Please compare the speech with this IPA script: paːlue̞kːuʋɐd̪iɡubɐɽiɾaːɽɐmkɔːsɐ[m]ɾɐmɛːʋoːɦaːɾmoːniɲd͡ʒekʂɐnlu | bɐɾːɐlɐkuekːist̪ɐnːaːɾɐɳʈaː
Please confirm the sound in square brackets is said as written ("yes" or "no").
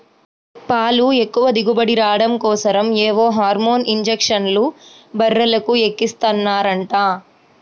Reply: no